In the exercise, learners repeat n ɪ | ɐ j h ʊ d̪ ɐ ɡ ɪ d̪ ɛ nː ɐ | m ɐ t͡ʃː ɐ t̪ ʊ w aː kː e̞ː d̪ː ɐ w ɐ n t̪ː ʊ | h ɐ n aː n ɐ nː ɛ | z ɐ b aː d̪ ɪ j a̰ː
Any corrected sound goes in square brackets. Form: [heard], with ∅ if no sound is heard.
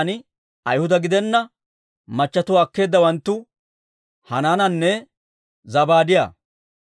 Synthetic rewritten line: n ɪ | ɐ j h ʊ d̪ ɐ ɡ ɪ d̪ ɛ nː ɐ | m ɐ t͡ʃː ɐ t̪ ʊ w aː kː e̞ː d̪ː ɐ w ɐ n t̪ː ʊ | h ɐ n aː n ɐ nː ɛ | z ɐ b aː d̪ ɪ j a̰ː